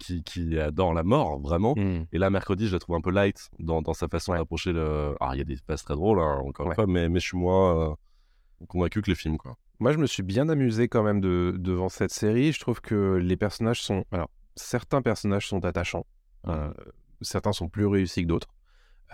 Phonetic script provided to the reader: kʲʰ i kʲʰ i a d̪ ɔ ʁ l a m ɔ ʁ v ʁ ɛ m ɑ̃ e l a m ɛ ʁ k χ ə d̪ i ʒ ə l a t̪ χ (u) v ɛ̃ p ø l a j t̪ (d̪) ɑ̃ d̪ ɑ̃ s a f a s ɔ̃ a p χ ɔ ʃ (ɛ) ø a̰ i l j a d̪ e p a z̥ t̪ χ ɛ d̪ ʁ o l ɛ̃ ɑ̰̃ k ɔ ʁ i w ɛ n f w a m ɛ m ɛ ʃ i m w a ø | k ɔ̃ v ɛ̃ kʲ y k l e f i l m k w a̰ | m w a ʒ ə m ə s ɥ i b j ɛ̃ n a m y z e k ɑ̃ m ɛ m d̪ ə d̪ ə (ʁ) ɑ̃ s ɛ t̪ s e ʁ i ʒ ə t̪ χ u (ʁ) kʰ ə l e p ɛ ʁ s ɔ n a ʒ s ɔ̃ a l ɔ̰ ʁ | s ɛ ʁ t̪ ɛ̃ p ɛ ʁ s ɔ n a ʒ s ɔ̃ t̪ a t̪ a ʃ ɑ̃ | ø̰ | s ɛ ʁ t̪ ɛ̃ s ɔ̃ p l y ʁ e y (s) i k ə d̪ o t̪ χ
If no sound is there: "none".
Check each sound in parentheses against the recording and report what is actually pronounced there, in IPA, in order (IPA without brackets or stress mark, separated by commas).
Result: u, d̪, e, v, v, s